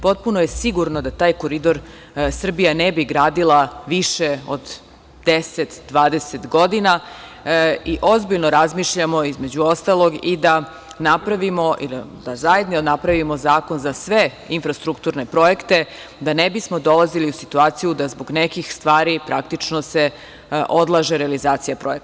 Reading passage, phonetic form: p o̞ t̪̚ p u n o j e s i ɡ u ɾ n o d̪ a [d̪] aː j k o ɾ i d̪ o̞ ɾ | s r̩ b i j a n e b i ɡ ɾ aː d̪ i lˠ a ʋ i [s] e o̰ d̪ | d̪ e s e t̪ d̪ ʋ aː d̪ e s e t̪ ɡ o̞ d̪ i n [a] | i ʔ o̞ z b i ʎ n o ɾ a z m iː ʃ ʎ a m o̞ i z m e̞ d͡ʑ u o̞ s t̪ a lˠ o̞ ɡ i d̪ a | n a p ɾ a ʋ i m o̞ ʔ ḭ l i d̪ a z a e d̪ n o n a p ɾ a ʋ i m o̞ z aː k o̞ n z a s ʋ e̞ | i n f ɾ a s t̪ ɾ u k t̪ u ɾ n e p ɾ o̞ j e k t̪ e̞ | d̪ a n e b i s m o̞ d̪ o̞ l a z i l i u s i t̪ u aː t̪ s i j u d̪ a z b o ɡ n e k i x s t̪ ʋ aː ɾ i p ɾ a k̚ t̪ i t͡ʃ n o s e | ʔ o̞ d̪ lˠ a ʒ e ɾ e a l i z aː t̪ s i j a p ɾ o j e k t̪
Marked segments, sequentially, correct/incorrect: incorrect: t̪, incorrect: ʃ, correct

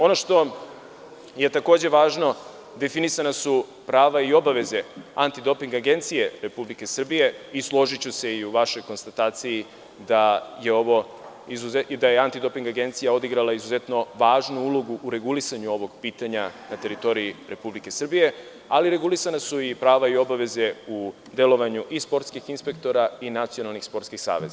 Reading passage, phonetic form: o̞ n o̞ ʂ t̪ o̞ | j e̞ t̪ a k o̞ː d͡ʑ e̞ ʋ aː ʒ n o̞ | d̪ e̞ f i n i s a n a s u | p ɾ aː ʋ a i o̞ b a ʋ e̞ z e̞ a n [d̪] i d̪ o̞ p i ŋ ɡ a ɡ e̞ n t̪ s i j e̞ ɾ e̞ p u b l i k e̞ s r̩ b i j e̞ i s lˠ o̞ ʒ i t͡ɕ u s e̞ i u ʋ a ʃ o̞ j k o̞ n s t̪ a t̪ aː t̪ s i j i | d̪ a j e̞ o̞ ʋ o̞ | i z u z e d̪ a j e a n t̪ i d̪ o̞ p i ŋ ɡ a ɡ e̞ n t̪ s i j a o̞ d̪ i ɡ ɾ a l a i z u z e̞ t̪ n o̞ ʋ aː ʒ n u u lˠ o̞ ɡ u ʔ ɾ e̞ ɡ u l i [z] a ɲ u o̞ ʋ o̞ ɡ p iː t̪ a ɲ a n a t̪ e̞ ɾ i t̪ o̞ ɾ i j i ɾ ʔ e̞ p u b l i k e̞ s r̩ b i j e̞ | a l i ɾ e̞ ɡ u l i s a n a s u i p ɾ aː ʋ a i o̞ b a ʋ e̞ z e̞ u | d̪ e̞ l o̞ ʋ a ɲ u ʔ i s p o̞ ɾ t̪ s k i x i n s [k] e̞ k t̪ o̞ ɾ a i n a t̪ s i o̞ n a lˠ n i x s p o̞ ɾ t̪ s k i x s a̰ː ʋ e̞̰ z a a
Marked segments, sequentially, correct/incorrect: incorrect: t̪, incorrect: s, incorrect: p

